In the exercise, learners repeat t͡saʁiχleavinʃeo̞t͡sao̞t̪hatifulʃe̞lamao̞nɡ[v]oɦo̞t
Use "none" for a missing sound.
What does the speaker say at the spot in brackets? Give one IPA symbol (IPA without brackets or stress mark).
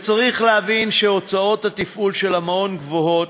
v